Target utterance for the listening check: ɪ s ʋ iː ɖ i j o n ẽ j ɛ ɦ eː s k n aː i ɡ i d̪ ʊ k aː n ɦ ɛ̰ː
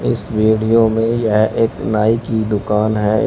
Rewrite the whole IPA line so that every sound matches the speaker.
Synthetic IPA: ɪ s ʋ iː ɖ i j o m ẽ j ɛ ɦ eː k n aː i k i d̪ ʊ k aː n ɦ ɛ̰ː